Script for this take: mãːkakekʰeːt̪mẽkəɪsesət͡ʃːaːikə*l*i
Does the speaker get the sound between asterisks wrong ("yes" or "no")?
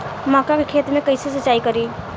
yes